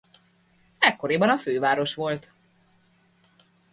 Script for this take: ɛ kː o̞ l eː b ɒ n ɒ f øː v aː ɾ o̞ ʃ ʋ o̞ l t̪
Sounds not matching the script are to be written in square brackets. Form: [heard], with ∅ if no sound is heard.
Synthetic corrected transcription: ɛ kː o̞ [ɾ] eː b ɒ n ɒ f øː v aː ɾ o̞ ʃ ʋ o̞ l t̪